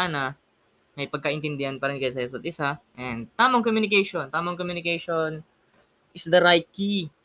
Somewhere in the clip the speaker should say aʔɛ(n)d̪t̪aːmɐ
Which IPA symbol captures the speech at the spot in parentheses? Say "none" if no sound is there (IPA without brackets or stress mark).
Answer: n